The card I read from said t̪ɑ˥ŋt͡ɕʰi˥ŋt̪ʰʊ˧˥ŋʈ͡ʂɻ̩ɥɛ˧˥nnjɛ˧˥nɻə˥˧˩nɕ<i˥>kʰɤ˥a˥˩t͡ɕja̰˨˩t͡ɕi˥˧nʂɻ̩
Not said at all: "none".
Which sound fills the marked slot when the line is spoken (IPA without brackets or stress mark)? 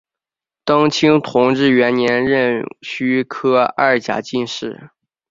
y˥